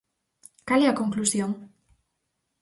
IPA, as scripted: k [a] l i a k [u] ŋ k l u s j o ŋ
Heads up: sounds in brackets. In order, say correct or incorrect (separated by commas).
correct, incorrect